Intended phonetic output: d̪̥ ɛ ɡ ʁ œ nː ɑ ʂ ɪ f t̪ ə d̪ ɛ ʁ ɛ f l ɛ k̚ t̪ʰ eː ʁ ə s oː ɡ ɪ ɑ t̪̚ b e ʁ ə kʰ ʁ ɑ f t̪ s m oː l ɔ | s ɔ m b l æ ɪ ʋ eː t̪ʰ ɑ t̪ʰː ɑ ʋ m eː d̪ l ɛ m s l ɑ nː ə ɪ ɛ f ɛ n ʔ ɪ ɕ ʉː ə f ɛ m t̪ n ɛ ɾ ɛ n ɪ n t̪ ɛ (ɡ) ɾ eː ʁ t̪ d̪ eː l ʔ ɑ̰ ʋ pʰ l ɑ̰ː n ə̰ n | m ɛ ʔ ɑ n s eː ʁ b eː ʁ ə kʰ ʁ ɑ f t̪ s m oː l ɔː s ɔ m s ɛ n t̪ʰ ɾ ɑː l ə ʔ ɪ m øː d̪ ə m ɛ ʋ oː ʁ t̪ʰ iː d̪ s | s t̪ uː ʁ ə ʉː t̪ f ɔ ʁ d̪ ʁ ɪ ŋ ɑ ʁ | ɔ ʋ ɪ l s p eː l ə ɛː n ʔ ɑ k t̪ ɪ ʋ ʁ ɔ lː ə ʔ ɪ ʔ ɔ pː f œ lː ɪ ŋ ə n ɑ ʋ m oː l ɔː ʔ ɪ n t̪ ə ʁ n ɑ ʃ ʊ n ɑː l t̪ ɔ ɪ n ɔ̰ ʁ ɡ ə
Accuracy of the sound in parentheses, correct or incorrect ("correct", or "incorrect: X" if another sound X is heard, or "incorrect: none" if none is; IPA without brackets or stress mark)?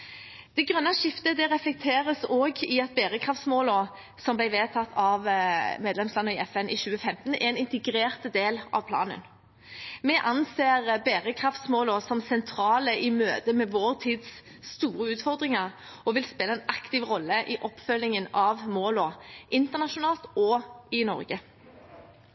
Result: correct